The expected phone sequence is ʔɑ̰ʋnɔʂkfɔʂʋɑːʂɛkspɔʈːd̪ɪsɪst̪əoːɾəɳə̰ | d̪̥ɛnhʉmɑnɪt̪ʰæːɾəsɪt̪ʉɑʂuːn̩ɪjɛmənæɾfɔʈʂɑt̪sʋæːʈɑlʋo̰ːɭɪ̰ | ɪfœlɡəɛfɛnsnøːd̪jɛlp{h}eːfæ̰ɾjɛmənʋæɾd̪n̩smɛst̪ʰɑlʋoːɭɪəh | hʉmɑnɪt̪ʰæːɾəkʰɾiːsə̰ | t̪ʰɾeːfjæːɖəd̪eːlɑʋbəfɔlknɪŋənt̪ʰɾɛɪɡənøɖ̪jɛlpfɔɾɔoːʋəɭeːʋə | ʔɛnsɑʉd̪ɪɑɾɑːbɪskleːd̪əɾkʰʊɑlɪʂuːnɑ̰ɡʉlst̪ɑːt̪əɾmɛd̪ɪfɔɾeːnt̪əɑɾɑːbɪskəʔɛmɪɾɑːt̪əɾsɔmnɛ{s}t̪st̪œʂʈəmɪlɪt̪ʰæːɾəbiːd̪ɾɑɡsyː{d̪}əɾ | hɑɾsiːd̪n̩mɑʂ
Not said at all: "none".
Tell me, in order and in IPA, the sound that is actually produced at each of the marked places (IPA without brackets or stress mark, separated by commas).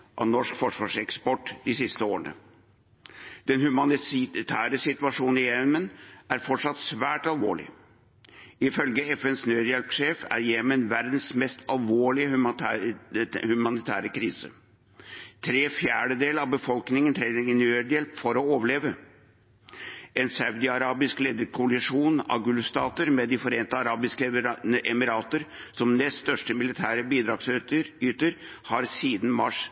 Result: ʂ, s, t̪